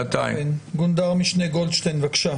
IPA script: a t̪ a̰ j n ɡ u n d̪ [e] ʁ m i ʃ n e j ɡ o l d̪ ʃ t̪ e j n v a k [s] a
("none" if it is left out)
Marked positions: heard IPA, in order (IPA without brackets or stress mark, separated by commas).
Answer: a, ʃ